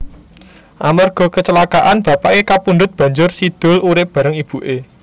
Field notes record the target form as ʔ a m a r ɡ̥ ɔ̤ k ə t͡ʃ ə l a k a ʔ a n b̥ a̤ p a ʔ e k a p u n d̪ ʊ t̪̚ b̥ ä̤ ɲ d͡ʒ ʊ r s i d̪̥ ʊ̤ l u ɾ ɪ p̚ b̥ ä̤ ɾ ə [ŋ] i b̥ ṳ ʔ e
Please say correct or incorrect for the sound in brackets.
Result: correct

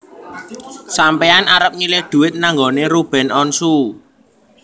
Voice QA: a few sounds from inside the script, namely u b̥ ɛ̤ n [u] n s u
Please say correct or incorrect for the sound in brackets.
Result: incorrect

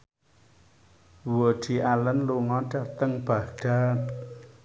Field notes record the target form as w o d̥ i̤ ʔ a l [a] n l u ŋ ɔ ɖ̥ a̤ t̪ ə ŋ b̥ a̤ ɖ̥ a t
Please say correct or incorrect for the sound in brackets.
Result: incorrect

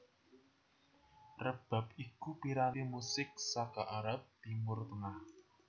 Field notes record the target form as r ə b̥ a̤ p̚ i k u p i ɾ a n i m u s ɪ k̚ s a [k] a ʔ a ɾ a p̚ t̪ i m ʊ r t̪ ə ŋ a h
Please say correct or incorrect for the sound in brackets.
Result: correct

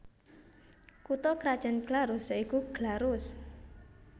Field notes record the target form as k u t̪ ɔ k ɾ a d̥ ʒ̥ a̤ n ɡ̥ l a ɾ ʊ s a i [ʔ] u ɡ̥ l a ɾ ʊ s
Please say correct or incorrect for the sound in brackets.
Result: incorrect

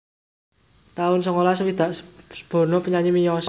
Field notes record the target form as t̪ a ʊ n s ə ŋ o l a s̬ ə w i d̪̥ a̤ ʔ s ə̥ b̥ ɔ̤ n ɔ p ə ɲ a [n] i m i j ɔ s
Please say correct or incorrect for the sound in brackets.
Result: incorrect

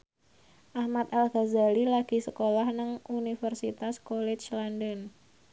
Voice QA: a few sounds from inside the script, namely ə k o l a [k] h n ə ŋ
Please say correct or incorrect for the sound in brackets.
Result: incorrect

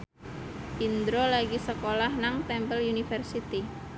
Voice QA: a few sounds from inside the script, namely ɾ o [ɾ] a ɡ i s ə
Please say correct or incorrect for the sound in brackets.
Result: incorrect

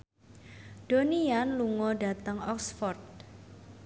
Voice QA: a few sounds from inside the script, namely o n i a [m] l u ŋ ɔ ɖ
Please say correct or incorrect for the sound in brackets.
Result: incorrect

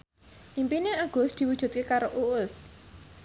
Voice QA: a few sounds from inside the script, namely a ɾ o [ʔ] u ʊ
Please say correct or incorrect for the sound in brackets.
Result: correct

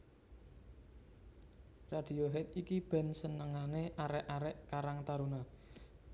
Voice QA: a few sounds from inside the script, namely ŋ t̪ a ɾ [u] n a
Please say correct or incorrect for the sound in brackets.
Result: correct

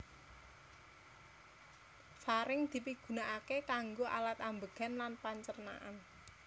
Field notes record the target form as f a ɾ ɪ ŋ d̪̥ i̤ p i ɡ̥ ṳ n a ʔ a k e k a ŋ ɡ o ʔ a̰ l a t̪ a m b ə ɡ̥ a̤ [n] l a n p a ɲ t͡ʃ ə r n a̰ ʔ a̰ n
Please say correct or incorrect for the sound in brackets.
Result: correct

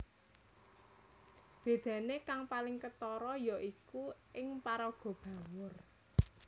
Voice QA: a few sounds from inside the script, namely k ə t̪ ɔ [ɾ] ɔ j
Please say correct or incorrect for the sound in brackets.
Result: correct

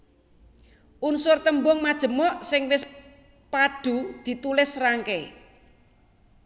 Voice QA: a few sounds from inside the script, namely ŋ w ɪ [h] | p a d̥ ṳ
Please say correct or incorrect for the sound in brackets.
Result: incorrect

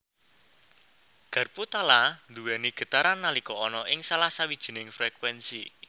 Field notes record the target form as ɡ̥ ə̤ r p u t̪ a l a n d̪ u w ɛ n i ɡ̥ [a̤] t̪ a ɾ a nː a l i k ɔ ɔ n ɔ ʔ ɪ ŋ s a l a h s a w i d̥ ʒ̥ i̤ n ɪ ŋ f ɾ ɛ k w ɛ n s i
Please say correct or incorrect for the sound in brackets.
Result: incorrect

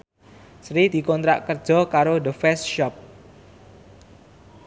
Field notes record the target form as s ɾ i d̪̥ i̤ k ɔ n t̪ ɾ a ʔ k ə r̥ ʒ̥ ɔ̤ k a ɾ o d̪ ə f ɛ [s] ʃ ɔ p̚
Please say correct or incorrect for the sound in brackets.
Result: correct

